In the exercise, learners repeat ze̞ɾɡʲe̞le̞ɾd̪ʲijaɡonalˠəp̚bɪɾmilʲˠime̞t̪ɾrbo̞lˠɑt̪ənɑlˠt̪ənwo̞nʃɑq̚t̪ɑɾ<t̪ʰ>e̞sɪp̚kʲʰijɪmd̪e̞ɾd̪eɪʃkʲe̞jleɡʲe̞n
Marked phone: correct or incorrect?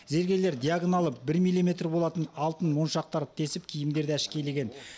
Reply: correct